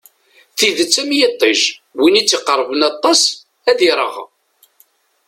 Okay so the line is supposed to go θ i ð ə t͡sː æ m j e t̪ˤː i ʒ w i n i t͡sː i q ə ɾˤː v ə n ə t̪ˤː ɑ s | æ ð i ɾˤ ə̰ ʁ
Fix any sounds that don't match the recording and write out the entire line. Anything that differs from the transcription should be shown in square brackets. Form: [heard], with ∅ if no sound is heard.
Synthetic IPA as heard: θ i ð ə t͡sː æ m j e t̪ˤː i ʒ w i n i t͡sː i q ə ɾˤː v ə n [ɑ] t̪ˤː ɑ s | æ ð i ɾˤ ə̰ ʁ